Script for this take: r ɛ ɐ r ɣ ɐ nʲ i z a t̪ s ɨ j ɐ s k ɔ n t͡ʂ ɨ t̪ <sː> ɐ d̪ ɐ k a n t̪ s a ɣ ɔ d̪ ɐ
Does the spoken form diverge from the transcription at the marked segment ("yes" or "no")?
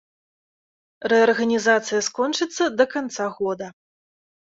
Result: no